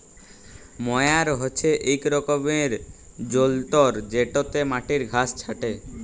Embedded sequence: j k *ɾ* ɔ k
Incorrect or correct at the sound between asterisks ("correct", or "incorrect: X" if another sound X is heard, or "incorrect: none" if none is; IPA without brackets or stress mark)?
correct